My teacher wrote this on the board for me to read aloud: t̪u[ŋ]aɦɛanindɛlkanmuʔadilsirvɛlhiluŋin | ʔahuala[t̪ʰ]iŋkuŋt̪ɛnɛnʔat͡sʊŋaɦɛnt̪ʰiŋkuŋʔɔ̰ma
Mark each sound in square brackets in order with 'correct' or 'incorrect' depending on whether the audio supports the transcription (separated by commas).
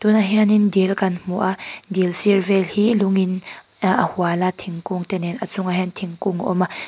incorrect, correct